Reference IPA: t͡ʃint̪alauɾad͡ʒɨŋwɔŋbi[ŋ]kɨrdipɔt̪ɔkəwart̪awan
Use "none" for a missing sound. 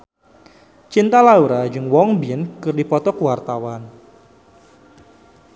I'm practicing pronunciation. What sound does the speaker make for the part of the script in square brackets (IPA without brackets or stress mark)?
n